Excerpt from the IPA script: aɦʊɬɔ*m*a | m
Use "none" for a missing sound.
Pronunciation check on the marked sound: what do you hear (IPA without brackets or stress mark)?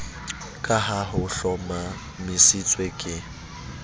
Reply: m